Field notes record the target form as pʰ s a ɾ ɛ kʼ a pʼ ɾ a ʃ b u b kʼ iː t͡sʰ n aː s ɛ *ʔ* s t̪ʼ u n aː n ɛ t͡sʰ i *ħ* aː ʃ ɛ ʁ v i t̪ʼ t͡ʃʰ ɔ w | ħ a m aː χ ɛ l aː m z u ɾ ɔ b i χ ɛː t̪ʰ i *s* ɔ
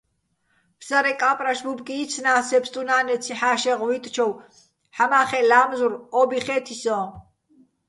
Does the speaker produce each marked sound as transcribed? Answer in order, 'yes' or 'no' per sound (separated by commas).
no, yes, yes